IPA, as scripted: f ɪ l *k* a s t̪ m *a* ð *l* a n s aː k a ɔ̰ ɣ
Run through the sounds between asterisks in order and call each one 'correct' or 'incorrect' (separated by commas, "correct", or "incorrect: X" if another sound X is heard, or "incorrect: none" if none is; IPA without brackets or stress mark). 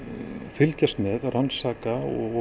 incorrect: c, incorrect: ɛ, incorrect: r